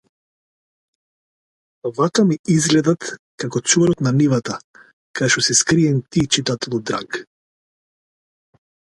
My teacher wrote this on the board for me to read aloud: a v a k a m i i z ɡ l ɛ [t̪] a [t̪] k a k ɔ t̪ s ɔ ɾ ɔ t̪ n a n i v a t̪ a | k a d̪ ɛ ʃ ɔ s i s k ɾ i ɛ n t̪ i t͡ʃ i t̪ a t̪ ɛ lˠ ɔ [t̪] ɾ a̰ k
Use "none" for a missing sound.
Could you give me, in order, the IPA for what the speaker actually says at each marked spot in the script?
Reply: d̪, t̪, d̪

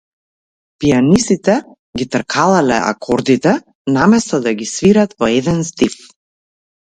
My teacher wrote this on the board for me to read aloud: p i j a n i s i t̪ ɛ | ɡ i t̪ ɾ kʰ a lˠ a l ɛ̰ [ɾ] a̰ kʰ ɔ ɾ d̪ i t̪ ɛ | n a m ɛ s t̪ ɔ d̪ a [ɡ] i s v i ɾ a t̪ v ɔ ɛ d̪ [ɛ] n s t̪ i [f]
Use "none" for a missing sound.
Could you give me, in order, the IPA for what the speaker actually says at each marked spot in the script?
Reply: none, ɡ, ɛ, f

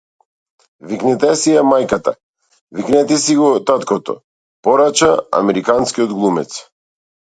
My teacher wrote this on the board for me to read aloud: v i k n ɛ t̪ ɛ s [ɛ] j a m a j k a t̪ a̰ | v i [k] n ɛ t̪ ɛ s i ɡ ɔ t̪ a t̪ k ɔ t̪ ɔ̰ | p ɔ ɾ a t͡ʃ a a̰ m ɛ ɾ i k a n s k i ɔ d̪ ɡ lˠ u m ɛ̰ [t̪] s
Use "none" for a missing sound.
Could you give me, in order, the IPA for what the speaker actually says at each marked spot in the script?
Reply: i, k, t̪

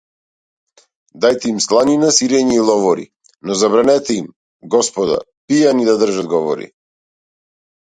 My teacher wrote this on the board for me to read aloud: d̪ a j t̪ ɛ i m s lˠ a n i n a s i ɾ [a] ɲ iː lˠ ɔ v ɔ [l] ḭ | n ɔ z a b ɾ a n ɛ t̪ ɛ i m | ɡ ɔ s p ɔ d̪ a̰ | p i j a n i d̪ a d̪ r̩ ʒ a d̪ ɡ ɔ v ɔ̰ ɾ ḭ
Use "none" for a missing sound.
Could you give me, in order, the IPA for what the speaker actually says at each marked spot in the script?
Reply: ɛ, ɾ

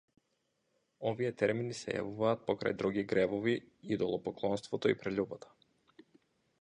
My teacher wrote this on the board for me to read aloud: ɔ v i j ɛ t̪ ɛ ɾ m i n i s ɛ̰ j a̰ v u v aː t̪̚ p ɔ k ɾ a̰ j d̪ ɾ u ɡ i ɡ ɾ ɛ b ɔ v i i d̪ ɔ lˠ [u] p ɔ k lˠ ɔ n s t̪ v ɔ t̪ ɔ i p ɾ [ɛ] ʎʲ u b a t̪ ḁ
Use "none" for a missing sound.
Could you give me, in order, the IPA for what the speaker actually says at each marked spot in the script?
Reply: ɔ, ɛ

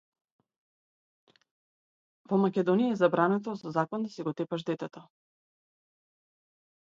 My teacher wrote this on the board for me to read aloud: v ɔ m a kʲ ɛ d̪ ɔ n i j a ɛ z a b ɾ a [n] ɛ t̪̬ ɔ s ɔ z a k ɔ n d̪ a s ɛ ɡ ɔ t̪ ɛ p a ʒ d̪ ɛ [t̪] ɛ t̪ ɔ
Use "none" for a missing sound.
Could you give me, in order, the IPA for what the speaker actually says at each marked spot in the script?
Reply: n, t̪

